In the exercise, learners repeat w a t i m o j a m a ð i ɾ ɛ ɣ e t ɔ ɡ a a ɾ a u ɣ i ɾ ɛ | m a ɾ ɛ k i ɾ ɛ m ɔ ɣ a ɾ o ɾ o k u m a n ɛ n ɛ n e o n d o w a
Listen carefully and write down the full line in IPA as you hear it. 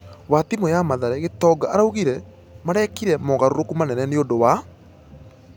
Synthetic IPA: w a t i m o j a m a ð a ɾ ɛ ɣ e t ɔ ɡ a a ɾ a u ɣ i ɾ ɛ | m a ɾ ɛ k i ɾ ɛ m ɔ ɣ a ɾ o ɾ o k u m a n ɛ n ɛ n e o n d o w a